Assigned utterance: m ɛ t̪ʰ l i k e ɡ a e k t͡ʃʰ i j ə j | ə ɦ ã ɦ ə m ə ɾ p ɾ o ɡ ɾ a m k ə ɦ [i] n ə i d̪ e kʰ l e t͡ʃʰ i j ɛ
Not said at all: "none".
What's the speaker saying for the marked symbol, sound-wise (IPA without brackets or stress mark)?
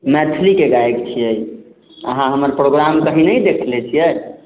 i